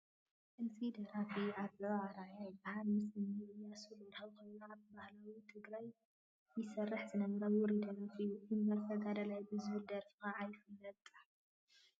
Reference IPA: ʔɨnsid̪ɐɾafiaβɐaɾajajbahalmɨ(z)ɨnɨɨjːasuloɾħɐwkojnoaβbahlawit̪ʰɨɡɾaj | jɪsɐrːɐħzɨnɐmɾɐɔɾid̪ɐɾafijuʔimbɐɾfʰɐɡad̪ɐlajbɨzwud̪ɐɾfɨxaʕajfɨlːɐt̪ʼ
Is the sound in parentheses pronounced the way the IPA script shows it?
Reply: no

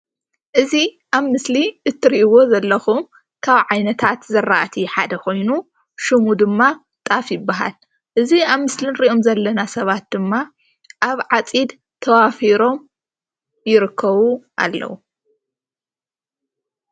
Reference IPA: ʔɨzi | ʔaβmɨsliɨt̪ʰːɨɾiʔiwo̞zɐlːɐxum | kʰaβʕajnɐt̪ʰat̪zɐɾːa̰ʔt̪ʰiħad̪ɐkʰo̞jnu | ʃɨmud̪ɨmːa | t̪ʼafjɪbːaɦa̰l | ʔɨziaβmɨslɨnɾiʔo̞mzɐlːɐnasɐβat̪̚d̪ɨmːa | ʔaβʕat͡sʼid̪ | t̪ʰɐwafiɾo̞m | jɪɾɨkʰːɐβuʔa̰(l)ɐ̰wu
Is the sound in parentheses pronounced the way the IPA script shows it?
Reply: no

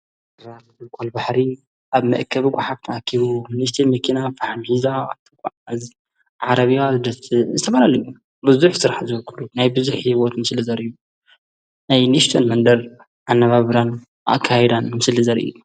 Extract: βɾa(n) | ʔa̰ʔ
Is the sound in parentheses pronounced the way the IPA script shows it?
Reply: yes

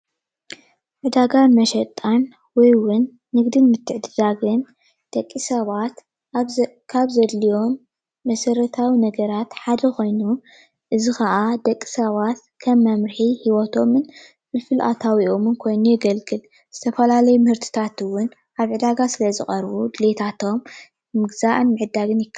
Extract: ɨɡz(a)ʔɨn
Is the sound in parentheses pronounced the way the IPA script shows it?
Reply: yes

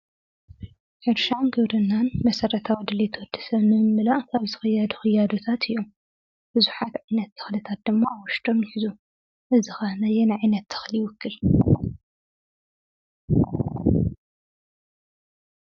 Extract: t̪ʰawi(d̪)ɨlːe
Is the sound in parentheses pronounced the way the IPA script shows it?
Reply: yes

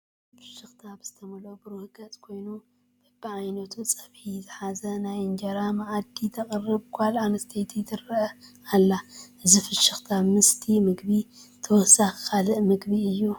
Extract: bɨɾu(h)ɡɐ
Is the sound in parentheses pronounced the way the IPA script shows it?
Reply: yes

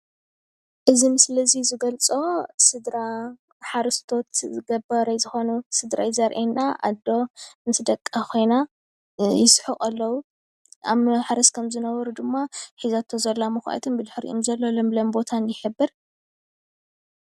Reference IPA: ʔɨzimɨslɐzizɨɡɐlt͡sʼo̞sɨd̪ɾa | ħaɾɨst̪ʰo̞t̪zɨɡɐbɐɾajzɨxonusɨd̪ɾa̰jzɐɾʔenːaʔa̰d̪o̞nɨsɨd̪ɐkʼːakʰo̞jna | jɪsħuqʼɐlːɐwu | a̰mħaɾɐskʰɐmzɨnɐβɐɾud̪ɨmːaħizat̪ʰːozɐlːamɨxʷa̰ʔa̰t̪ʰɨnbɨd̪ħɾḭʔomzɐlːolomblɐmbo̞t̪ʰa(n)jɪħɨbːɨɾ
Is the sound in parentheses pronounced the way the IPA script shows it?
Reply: yes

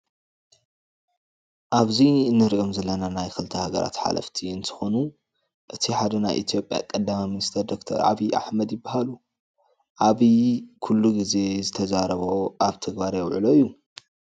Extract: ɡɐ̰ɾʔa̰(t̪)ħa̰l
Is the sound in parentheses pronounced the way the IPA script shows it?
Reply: yes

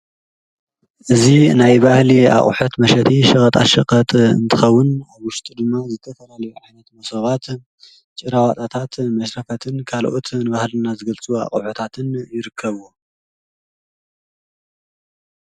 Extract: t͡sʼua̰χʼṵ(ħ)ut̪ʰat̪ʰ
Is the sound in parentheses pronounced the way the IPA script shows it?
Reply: yes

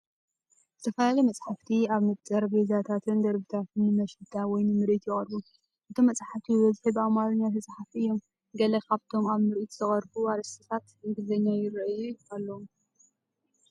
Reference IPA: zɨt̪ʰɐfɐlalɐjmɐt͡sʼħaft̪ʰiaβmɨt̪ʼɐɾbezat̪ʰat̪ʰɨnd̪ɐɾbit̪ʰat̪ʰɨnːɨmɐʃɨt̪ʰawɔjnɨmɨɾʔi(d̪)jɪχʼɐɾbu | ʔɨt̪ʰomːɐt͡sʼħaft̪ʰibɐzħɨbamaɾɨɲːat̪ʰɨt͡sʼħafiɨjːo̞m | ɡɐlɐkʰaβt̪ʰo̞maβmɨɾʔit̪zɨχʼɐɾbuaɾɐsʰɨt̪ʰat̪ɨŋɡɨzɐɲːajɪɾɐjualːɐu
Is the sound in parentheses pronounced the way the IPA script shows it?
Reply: no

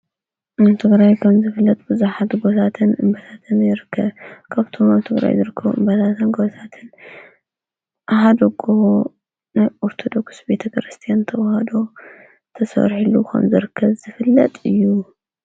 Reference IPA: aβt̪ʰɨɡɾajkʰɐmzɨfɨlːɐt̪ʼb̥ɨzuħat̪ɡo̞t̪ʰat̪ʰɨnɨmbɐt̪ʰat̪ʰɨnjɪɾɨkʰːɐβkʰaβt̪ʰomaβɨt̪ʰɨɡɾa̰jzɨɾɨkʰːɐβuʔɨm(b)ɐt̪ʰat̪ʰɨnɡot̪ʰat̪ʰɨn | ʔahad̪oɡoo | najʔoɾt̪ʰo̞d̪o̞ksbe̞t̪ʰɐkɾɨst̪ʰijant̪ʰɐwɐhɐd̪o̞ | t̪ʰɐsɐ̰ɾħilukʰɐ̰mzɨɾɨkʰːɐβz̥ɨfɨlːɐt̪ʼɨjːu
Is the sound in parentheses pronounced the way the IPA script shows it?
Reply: yes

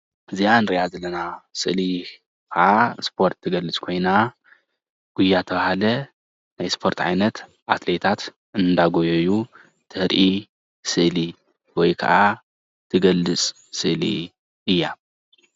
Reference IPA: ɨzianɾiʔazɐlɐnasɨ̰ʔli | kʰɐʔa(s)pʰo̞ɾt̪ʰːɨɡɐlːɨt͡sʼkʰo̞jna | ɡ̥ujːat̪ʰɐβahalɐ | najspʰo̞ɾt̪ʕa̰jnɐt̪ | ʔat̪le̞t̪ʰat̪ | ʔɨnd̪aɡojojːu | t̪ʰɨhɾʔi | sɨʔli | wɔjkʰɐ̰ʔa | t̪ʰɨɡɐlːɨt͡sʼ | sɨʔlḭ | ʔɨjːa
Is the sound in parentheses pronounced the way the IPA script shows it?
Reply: yes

